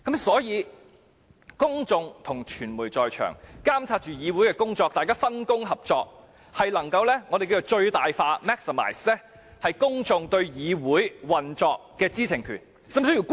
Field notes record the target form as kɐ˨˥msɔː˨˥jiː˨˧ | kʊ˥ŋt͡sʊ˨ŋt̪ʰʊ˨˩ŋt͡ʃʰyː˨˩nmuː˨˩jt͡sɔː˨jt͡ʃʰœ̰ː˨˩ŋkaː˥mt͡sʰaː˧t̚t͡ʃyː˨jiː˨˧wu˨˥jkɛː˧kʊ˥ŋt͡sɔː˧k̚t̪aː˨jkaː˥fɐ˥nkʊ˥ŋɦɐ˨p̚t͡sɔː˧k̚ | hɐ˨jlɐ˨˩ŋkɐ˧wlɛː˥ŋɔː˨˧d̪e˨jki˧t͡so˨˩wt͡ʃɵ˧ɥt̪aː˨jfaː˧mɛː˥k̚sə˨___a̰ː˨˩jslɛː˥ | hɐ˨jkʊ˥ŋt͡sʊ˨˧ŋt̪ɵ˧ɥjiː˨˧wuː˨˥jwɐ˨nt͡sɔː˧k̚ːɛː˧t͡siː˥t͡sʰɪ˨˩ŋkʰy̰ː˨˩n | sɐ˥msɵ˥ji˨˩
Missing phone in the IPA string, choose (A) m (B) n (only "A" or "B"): A